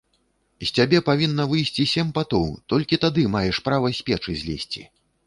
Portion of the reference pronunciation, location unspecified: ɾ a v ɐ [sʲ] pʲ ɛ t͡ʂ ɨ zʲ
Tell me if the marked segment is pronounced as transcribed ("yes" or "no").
yes